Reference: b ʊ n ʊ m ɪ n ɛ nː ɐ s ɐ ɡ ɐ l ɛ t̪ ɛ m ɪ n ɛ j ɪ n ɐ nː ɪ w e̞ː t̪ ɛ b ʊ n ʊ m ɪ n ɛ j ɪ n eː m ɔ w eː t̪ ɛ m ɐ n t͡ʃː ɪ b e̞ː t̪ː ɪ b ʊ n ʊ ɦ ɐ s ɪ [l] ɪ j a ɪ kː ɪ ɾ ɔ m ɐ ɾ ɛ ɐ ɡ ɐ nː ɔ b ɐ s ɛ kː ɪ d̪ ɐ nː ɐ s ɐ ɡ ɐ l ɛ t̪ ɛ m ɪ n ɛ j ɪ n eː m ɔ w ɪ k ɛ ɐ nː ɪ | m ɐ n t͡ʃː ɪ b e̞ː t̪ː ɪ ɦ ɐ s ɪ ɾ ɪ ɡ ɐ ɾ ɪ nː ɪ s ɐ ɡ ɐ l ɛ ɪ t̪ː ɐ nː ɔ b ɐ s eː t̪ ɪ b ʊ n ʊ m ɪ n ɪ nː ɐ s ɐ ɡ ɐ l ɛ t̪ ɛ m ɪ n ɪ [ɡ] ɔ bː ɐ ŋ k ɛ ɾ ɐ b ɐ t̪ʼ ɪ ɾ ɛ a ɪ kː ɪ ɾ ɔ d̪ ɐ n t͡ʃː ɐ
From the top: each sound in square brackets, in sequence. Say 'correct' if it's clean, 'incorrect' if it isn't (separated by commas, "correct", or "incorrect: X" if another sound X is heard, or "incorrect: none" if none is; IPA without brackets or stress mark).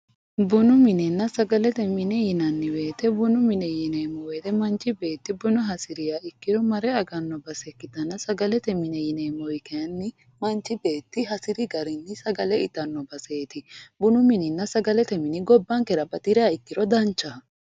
incorrect: ɾ, correct